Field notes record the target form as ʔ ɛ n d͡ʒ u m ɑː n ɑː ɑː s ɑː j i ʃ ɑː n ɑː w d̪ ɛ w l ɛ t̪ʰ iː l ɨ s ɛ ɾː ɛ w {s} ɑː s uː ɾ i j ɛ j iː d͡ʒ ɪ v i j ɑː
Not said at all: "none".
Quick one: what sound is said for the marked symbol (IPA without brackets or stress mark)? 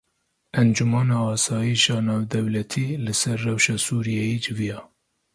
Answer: ʃ